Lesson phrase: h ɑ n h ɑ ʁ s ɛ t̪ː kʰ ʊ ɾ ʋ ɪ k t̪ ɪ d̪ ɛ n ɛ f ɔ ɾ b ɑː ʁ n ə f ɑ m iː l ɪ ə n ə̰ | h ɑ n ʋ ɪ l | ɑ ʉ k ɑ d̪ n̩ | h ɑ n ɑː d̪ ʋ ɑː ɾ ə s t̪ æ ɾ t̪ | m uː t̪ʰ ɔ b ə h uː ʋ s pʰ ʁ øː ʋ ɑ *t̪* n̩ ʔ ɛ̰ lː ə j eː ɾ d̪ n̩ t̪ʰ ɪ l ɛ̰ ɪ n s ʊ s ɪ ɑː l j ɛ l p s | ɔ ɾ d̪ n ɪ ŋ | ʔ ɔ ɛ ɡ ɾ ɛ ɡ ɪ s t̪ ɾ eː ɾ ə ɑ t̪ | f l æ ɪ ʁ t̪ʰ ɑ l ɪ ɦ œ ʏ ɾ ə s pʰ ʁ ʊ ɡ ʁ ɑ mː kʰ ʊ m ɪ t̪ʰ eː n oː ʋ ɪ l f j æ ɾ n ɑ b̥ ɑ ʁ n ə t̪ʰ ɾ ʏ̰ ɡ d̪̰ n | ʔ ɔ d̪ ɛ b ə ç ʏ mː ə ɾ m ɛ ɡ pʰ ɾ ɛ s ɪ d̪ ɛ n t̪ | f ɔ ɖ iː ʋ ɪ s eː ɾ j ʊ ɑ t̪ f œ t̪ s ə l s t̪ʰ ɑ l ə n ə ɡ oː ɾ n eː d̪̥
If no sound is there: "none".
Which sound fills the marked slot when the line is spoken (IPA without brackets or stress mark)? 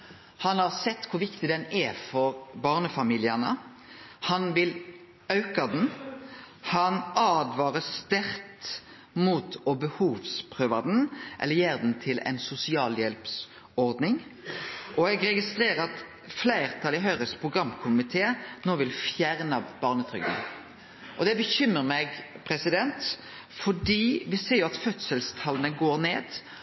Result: d̪